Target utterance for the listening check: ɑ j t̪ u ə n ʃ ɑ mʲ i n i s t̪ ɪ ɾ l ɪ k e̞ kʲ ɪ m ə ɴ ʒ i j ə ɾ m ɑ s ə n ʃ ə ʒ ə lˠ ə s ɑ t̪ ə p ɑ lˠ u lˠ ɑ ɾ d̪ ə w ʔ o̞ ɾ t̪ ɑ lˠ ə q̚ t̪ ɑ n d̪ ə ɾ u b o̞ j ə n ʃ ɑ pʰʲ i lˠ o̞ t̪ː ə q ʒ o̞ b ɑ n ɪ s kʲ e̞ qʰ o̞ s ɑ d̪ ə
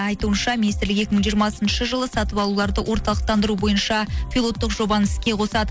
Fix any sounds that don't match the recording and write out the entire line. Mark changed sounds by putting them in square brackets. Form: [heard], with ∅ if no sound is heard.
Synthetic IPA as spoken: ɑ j t̪ u ə n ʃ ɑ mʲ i n i s t̪ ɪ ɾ l ɪ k e̞ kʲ ɪ m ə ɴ ʒ i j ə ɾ m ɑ s ə n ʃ ə ʒ ə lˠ ə s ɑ t̪ ə p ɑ lˠ u lˠ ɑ ɾ d̪ ə w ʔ o̞ ɾ t̪ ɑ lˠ ə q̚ t̪ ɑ n d̪ ə ɾ u b o̞ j ə n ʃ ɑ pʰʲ i lˠ o̞ t̪ː ə q ʒ o̞ b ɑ n ɪ s kʲ e̞ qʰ o̞ s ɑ d̪ ə